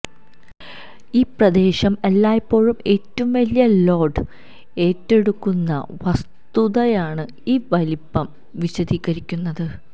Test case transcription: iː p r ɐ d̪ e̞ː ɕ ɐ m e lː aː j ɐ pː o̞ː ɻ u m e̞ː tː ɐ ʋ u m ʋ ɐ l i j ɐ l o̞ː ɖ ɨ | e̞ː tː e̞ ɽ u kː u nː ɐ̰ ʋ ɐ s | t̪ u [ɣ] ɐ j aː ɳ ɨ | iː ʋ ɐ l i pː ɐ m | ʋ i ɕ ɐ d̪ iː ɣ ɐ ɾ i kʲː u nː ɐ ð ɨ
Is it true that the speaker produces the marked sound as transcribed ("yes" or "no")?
no